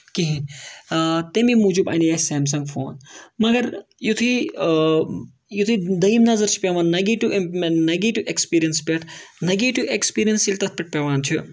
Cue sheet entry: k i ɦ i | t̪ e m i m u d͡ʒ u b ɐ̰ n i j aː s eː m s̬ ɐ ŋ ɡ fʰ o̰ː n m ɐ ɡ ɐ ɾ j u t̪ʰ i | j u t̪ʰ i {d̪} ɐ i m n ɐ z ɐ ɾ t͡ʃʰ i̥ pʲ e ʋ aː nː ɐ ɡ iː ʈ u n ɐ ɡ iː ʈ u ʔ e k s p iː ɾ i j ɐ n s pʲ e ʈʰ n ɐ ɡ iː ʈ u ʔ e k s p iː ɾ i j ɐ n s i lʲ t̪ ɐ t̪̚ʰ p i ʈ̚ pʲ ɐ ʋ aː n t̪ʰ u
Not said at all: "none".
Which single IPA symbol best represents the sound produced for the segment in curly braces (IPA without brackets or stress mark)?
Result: d̪